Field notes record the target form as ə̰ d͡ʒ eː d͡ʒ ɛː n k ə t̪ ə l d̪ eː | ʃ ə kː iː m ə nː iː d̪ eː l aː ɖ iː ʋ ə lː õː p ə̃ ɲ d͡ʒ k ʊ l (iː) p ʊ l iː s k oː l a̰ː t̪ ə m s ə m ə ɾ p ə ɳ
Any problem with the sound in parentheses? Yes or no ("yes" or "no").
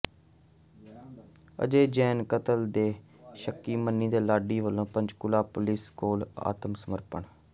yes